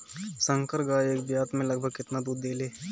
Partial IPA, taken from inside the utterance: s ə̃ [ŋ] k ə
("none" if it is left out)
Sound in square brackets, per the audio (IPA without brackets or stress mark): ŋ